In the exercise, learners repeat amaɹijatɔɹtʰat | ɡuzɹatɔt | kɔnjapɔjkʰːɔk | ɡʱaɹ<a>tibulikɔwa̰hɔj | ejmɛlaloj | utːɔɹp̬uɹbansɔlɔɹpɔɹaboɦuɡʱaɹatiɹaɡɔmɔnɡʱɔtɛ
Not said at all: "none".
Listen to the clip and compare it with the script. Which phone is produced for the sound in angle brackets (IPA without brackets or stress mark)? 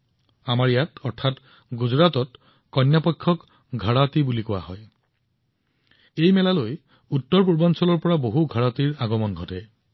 a